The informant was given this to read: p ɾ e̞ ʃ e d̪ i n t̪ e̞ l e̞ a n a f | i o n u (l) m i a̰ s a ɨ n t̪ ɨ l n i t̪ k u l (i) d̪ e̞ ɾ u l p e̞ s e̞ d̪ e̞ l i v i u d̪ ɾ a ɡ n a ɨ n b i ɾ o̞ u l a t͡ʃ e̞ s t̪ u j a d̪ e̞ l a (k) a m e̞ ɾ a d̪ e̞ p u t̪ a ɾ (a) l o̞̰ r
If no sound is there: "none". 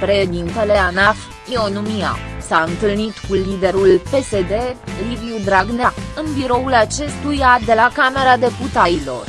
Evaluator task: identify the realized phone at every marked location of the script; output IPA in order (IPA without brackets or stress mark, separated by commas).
none, i, k, i